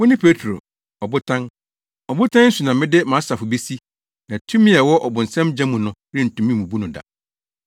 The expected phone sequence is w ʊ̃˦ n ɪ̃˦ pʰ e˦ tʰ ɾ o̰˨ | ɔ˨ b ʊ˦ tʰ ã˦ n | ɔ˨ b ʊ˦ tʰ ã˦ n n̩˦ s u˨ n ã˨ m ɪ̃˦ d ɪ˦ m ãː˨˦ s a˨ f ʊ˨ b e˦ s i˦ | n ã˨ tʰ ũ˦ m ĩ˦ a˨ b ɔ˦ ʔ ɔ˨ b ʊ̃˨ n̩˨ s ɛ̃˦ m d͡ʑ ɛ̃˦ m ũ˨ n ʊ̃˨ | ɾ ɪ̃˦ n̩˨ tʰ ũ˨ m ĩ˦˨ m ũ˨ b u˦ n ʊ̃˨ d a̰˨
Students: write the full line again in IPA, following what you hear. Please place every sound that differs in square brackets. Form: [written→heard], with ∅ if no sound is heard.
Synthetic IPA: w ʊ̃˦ n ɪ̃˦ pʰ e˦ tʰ ɾ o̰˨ | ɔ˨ b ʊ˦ tʰ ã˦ n | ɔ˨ b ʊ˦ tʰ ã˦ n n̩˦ s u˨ n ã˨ m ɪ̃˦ d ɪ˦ m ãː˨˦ s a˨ f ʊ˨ b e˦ s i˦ | n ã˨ tʰ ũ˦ m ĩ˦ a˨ [b→w] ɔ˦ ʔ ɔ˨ b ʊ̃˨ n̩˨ s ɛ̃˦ m d͡ʑ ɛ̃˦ m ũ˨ n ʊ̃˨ | ɾ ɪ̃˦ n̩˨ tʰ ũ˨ m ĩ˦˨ m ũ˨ b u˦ n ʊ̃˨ d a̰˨